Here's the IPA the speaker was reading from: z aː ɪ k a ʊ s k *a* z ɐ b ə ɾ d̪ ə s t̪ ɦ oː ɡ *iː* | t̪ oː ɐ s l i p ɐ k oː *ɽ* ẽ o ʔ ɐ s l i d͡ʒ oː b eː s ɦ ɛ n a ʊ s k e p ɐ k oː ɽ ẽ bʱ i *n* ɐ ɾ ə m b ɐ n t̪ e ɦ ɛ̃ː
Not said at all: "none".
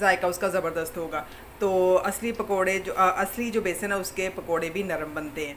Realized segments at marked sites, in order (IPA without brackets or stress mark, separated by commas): a, aː, ɽ, n